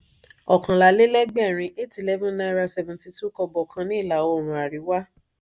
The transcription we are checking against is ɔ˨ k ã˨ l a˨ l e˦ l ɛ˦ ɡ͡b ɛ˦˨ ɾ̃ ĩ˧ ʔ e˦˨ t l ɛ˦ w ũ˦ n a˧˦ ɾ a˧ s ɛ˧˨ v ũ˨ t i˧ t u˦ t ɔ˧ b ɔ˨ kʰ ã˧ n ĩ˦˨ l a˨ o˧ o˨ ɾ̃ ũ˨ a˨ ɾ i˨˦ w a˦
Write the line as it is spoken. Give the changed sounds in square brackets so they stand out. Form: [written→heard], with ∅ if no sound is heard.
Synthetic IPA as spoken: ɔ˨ k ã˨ l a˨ l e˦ l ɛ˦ ɡ͡b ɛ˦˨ ɾ̃ ĩ˧ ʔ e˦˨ t l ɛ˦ [w→v] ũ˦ n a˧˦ ɾ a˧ s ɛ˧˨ v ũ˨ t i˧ t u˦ [t→k] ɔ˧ b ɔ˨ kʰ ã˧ n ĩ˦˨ l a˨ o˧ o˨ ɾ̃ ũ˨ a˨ ɾ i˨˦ w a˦